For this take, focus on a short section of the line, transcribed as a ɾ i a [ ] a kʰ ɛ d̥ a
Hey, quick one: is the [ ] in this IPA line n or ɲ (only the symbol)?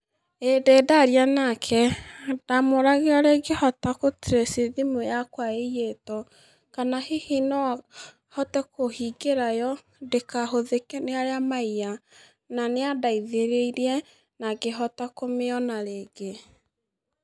n